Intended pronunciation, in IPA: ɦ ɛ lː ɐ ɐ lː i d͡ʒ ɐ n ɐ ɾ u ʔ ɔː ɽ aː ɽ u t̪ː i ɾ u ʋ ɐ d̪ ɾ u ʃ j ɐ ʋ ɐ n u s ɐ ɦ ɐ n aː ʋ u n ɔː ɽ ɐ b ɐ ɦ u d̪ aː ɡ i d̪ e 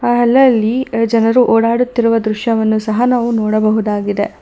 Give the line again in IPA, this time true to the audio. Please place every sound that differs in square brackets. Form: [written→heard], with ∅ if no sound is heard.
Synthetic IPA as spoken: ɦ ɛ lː ɐ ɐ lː i d͡ʒ ɐ n ɐ ɾ u ʔ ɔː ɽ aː ɽ u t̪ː i ɾ u ʋ ɐ d̪ ɾ u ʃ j ɐ ʋ ɐ [n→nː] u s ɐ ɦ ɐ n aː ʋ u n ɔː ɽ ɐ b ɐ ɦ u d̪ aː ɡ i d̪ e